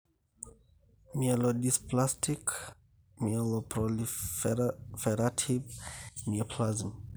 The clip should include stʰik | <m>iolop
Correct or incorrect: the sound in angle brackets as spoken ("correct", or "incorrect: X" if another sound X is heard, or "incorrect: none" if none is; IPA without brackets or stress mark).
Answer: correct